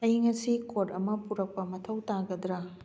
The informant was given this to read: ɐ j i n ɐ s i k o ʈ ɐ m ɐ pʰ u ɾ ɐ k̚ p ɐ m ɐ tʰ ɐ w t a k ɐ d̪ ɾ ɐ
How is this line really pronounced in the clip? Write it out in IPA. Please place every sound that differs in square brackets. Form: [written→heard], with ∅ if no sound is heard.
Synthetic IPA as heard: ɐ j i [n→ŋ] ɐ s i k o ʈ ɐ m ɐ [pʰ→p] u ɾ ɐ k̚ p ɐ m ɐ tʰ ɐ w t a [k→ɡ] ɐ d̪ ɾ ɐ